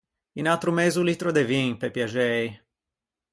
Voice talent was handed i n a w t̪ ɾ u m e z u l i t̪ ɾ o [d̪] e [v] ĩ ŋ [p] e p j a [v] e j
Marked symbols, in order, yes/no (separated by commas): yes, yes, yes, no